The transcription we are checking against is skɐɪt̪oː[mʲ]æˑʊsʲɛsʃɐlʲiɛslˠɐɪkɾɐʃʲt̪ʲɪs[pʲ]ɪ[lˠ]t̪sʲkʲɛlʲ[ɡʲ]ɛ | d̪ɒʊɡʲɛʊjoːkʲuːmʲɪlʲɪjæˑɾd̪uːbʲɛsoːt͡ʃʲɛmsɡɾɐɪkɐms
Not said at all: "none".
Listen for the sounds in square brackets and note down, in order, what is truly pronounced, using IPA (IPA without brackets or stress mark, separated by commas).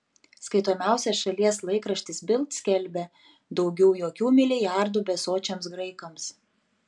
mʲ, bʲ, lˠ, bʲ